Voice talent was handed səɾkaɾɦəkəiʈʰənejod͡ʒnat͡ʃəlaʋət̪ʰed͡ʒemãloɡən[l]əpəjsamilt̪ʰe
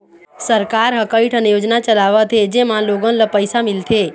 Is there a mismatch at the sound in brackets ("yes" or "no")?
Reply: no